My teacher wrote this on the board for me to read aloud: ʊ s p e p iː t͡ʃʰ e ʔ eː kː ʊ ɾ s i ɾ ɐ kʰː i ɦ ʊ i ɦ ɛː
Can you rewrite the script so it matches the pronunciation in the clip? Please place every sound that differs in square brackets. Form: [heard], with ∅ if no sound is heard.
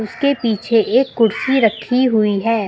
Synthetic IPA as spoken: ʊ s [k] e p iː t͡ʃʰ e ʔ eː kː ʊ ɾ s i ɾ ɐ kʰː i ɦ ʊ i ɦ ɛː